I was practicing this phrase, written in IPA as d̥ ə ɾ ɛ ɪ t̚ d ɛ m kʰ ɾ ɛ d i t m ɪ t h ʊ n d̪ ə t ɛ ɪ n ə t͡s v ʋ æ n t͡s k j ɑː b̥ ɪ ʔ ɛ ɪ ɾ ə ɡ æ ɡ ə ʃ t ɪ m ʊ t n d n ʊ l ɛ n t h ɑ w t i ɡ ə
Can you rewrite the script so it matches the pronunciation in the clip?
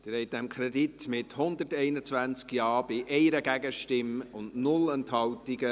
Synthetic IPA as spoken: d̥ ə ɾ ɛ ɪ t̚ d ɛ m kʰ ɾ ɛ d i t m ɪ t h ʊ n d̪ ə t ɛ ɪ n ə t͡s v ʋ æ n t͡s k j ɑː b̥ ɪ ʔ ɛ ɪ ɾ ə ɡ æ ɡ ə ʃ t ɪ m ʊ n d n ʊ l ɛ n t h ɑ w t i ɡ ə